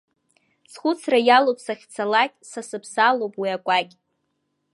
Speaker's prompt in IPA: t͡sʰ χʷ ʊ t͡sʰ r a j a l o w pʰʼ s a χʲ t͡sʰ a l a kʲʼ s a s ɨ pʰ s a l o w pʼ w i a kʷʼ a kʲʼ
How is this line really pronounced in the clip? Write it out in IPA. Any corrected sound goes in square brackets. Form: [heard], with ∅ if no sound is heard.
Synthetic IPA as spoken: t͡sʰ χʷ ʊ t͡sʰ r a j a l o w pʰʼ s a χʲ t͡sʰ a l a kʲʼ s a s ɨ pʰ s a l o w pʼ w i a kʷʼ a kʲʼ